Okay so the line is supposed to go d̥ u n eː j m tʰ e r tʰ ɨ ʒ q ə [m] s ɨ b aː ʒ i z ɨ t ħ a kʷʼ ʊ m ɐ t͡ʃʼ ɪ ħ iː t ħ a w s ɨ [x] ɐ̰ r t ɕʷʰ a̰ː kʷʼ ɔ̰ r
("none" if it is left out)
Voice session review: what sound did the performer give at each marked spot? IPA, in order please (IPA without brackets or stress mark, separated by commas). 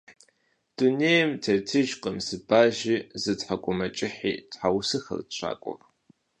m, x